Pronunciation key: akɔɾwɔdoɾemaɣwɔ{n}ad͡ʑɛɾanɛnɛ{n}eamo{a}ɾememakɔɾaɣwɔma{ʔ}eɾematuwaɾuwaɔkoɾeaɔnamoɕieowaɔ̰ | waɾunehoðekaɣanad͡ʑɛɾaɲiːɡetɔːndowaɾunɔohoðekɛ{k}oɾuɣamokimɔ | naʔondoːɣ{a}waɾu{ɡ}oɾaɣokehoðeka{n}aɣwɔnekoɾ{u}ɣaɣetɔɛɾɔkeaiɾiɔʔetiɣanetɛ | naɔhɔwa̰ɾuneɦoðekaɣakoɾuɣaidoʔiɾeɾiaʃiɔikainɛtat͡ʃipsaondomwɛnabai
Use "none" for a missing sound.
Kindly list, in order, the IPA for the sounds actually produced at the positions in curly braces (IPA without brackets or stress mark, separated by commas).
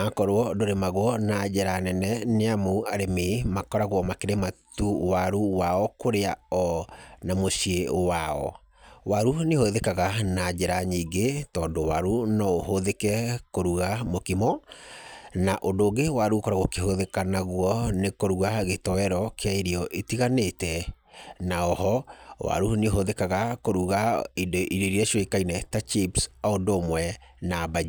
n, n, a, k, k, e, k, n, u